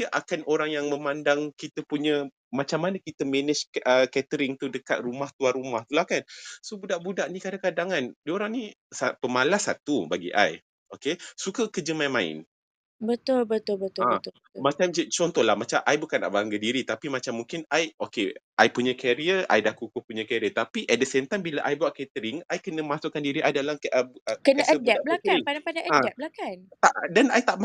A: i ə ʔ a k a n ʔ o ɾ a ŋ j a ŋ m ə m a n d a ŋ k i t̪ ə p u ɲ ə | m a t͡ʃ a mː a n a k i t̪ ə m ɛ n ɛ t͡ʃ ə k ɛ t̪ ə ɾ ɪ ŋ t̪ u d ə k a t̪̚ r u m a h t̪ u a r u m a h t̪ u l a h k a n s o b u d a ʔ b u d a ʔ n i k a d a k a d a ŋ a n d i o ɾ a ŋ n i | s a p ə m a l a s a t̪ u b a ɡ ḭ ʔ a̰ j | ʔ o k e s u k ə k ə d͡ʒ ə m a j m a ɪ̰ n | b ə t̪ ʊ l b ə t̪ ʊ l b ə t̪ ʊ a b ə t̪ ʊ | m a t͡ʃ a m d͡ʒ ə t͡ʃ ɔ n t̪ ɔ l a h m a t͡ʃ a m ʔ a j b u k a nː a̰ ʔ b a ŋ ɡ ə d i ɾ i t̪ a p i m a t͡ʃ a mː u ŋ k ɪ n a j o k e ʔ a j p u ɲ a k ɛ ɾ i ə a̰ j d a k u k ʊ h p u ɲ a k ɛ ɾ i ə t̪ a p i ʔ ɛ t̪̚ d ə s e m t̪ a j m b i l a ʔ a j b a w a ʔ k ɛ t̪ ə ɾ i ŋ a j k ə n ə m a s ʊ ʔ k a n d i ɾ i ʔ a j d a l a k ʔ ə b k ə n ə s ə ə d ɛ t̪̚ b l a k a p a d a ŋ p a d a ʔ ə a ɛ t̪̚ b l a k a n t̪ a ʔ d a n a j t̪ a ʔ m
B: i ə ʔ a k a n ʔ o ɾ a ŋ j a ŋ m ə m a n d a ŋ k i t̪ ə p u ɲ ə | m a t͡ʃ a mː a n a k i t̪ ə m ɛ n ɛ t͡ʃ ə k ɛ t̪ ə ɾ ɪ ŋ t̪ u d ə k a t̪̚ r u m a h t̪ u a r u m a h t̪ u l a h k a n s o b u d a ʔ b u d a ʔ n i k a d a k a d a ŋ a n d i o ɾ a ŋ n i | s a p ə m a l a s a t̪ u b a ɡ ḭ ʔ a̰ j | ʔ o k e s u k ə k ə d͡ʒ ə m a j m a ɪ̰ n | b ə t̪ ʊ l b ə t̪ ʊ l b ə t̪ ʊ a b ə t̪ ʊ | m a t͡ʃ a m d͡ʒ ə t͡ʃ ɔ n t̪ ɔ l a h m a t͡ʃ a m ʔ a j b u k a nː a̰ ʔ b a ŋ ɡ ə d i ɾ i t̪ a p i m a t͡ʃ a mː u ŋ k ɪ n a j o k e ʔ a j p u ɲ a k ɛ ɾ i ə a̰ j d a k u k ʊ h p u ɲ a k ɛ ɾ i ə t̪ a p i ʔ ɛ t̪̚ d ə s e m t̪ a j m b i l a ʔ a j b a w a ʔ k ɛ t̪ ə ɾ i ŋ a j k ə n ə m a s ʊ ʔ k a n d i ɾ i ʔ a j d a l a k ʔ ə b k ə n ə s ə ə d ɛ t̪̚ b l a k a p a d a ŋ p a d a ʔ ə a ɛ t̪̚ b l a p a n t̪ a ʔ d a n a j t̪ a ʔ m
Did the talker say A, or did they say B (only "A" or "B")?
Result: A